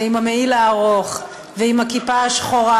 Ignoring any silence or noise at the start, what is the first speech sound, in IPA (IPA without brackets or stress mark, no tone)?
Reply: i